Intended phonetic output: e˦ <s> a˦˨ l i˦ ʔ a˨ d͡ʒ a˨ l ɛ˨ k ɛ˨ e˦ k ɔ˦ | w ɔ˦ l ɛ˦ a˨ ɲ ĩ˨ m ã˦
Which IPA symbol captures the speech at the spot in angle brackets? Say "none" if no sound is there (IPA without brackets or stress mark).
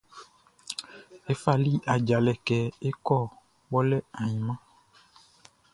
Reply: f